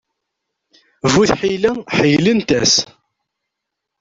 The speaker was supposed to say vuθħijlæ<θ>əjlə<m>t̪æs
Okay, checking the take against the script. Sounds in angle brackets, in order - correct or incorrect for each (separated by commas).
incorrect, incorrect